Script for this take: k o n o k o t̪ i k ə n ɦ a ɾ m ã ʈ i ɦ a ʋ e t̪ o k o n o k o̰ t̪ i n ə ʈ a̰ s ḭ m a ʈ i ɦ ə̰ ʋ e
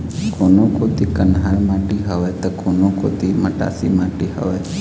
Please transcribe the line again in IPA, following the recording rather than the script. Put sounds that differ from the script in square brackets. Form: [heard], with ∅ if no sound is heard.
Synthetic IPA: k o n o k o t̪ i k ə n ɦ a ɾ m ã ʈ i ɦ [ə] ʋ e t̪ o k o n o k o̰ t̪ i [m] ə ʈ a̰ s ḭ m a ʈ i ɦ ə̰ ʋ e